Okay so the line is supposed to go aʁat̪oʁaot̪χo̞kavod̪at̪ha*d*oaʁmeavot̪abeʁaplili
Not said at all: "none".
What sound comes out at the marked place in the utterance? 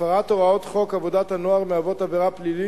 n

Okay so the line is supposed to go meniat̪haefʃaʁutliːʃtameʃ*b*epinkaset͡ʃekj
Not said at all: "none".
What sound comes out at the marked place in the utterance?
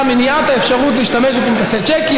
b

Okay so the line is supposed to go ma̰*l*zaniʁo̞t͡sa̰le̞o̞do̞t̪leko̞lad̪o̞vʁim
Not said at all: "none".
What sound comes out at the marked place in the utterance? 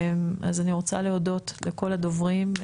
none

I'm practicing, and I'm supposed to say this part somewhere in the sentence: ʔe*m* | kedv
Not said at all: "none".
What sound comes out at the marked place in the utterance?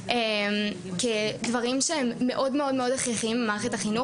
m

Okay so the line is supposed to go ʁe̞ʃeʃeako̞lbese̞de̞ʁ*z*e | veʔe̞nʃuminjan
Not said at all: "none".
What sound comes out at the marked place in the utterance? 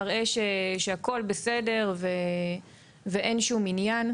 v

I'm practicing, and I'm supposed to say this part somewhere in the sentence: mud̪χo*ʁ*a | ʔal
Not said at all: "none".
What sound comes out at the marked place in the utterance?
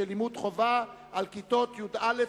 v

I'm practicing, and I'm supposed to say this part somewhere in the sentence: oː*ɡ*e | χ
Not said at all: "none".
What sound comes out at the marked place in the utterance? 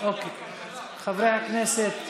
k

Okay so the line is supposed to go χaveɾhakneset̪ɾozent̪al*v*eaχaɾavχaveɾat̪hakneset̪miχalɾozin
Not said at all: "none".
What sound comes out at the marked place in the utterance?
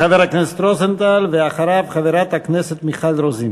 v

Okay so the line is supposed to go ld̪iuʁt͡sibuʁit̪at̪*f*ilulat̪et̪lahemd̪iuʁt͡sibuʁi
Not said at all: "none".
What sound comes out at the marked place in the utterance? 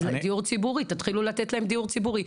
χ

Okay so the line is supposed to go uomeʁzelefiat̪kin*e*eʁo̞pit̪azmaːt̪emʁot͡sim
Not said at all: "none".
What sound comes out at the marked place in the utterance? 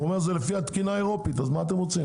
a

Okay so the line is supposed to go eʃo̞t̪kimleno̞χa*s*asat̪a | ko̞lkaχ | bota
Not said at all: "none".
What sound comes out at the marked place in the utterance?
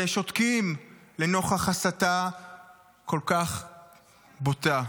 χ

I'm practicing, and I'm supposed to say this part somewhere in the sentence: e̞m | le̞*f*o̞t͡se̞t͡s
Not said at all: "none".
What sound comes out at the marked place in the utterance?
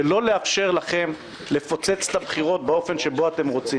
f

